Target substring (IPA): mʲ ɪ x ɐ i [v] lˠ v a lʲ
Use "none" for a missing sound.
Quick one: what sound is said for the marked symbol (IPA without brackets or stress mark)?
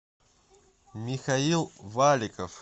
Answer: none